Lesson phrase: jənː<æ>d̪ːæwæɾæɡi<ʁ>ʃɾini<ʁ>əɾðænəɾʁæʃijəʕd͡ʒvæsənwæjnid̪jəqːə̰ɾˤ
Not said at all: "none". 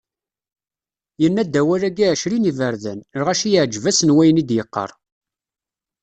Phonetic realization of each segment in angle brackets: æ, ʕ, v

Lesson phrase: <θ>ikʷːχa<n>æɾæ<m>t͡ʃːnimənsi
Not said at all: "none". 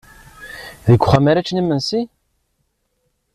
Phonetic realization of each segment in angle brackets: ð, m, none

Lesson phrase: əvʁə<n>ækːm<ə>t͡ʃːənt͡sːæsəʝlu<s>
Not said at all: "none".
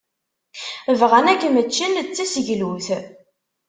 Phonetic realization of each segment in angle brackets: n, ə, θ

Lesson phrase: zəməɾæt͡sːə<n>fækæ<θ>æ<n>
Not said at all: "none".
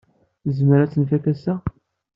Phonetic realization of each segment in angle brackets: n, s, none

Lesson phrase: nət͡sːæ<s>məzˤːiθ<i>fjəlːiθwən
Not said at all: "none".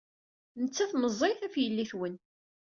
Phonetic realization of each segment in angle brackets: θ, æ

